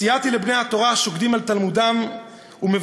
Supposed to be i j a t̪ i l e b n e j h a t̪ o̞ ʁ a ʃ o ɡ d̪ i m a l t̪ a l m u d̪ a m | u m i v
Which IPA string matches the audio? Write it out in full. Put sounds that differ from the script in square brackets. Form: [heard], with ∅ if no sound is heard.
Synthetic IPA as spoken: i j a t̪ i l e b n e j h a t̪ o̞ ʁ a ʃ o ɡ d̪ i m a l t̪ a l m u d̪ a m | u m [e] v